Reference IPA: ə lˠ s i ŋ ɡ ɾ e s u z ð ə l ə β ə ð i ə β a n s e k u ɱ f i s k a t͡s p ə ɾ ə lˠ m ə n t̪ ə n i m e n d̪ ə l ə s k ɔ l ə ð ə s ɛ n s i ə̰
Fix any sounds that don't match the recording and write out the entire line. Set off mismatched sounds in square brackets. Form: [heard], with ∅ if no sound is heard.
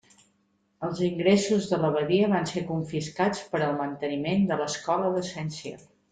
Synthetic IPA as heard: ə lˠ [z] i ŋ ɡ ɾ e s u z ð ə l ə β ə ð i ə β a n s e k u ɱ f i s k a t͡s p ə ɾ ə lˠ m ə n t̪ ə n i m e n d̪ ə l ə s k ɔ l ə ð ə s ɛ n s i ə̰

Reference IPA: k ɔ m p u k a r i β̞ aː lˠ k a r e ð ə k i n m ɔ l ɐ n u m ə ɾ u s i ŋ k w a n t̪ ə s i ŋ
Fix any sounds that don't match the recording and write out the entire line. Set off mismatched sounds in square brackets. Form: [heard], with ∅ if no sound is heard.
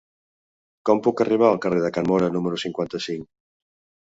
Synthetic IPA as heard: k ɔ m p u k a r i β̞ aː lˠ k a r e ð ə k [a] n m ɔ [ɾ] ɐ n u m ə ɾ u s i ŋ k w a n t̪ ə s i ŋ

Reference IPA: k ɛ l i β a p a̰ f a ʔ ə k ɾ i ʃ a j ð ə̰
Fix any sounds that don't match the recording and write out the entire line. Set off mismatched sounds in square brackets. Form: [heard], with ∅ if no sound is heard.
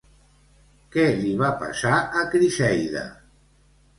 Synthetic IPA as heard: k ɛ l i β a p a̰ [s] a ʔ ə k ɾ i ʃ [ɛ] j ð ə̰

